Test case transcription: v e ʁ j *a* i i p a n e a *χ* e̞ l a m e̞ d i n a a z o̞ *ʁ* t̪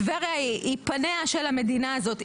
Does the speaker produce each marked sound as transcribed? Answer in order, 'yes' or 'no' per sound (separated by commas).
yes, no, no